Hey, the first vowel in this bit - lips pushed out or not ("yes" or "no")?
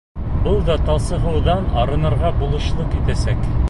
no